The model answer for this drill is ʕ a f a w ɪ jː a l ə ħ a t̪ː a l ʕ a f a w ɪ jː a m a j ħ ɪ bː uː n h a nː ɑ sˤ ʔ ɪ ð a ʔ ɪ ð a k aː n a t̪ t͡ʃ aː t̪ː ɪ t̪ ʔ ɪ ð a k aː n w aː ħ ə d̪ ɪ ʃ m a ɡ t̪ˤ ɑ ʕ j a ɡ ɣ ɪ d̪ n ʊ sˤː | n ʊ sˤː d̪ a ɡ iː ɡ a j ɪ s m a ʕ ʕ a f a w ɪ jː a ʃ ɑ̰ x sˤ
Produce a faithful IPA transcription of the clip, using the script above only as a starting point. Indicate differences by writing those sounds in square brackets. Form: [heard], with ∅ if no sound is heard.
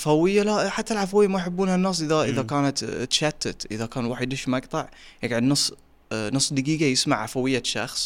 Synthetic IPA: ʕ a f a w ɪ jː a l [a] ħ a t̪ː a l ʕ a f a w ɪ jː a m a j ħ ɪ bː uː n h a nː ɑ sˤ ʔ ɪ ð a ʔ ɪ ð a k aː n a t̪ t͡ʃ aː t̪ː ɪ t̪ ʔ ɪ ð a k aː n w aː ħ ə d̪ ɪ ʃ m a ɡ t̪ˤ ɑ ʕ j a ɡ [ʕ] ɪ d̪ n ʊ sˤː | n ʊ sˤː d̪ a ɡ iː ɡ a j ɪ s m a ʕ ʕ a f a w ɪ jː a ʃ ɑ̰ x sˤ